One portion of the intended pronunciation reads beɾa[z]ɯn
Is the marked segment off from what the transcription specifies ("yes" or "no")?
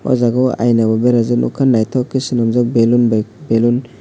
no